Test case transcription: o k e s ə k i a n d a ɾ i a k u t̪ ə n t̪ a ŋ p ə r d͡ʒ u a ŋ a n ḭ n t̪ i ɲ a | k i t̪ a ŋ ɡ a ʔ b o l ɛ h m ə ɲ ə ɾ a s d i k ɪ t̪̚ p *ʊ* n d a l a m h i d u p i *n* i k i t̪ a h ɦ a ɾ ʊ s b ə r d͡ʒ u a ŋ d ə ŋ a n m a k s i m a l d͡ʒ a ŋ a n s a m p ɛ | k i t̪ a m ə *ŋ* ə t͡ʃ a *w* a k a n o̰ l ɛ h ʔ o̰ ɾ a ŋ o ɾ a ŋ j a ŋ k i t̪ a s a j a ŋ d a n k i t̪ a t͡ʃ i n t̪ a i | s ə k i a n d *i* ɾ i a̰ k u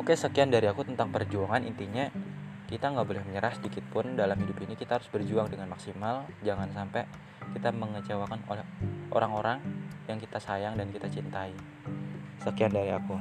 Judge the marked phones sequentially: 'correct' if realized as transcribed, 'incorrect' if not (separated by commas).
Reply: correct, correct, correct, correct, incorrect